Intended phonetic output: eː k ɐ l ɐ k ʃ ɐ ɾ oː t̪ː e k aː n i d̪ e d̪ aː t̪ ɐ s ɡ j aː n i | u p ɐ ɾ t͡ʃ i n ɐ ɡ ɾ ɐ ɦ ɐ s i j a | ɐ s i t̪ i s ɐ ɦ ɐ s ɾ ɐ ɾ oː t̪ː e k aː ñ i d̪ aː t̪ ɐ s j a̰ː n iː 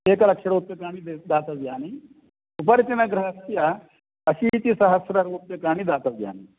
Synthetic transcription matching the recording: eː k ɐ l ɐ k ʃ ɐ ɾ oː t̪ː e k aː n i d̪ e d̪ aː t̪ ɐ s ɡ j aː n i | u p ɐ ɾ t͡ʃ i n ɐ ɡ ɾ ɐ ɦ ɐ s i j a | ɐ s i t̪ i s ɐ ɦ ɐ s ɾ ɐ ɾ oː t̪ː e k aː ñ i d̪ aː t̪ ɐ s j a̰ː n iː

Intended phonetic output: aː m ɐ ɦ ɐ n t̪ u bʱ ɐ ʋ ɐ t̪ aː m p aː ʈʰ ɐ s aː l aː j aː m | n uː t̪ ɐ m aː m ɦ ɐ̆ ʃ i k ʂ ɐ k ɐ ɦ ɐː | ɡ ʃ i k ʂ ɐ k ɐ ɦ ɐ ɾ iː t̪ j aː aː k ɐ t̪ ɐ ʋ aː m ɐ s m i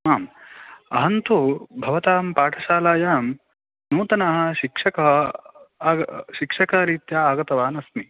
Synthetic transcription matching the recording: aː m ɐ ɦ ɐ n t̪ u bʱ ɐ ʋ ɐ t̪ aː m p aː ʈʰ ɐ ʃ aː l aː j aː m | n uː t̪ ɐ n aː ɦ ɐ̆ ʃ i k ʂ ɐ k ɐ ɦ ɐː | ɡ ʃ i k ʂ ɐ k ɐ ɦ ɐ ɾ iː t̪ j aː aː ɡ ɐ t̪ ɐ ʋ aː n ɐ s m i

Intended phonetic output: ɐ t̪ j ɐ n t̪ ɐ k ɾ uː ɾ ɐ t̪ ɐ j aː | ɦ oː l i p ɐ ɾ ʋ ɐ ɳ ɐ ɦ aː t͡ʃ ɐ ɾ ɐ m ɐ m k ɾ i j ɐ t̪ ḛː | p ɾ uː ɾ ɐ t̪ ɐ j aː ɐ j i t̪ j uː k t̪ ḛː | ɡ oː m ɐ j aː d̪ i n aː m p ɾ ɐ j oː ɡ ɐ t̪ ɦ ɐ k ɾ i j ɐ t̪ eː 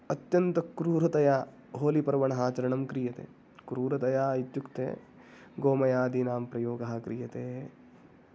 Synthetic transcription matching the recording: ɐ t̪ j ɐ n t̪ ɐ k ɾ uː ɾ ɐ t̪ ɐ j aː | ɦ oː l i p ɐ ɾ ʋ ɐ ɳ ɐ ɦ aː t͡ʃ ɐ ɾ ɐ ɳ ɐ m k ɾ i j ɐ t̪ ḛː | k ɾ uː ɾ ɐ t̪ ɐ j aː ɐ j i t̪ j u k t̪ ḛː | ɡ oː m ɐ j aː d̪ i n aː m p ɾ ɐ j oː ɡ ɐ ɦ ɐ k ɾ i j ɐ t̪ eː

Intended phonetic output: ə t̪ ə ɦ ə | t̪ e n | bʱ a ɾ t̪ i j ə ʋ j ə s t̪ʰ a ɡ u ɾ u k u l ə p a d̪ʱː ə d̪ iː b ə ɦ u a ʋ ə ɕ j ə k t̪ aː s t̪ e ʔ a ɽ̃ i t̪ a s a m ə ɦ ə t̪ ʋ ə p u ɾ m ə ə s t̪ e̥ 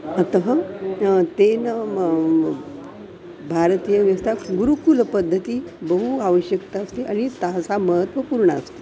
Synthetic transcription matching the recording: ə t̪ ə ɦ ə | t̪ e n | bʱ a ɾ t̪ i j ə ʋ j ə s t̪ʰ a ɡ u ɾ u k u l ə p ə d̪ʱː ə t̪ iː b ə ɦ u a ʋ ə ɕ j ə k t̪ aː s t̪ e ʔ a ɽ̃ i t̪ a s a m ə ɦ ə t̪ ʋ ə p u ɾ ɳ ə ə s t̪ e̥

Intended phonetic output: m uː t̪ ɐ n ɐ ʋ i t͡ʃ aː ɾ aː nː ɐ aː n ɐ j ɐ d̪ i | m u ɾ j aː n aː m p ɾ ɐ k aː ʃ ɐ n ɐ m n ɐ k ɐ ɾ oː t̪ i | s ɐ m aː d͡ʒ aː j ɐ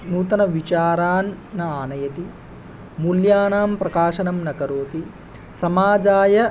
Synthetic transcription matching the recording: n uː t̪ ɐ n ɐ ʋ i t͡ʃ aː ɾ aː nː ɐ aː n ɐ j ɐ t̪ i | m u l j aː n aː m p ɾ ɐ k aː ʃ ɐ n ɐ m n ɐ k ɐ ɾ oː t̪ i | s ɐ m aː d͡ʒ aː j ɐ

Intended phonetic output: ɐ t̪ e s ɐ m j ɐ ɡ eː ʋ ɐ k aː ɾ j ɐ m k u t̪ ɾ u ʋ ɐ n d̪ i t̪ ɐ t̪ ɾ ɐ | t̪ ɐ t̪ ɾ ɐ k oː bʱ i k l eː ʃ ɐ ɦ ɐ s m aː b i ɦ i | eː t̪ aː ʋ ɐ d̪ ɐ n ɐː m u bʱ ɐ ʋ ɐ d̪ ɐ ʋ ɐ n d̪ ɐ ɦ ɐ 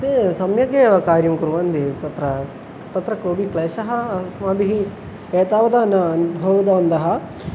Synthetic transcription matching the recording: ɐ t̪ e s ɐ m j ɐ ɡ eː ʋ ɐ k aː ɾ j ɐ m k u ɾ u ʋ ɐ n d̪ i t̪ ɐ t̪ ɾ ɐ | t̪ ɐ t̪ ɾ ɐ k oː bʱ i k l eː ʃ ɐ ɦ ɐ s m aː b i ɦ i | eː t̪ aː ʋ ɐ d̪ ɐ n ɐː n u bʱ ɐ ʋ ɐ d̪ ɐ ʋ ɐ n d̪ ɐ ɦ ɐ

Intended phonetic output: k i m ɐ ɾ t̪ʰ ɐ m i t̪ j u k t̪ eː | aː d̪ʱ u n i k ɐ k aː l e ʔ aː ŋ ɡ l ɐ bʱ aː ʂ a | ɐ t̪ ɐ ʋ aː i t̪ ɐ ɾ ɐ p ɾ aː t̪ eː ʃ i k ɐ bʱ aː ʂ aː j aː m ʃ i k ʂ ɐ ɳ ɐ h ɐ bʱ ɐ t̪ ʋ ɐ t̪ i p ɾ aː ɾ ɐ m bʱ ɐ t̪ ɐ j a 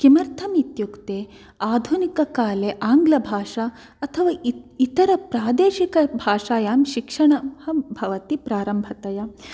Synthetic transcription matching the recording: k i m ɐ ɾ t̪ʰ ɐ m i t̪ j u k t̪ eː | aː d̪ʱ u n i k ɐ k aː l e ʔ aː ŋ ɡ l ɐ bʱ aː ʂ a | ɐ t̪ʰ ɐ ʋ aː i t̪ ɐ ɾ ɐ p ɾ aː d̪ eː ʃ i k ɐ bʱ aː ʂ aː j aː m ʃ i k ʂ ɐ ɳ ɐ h ɐ bʱ ɐ ʋ ɐ t̪ i p ɾ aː ɾ ɐ m bʱ ɐ t̪ ɐ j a

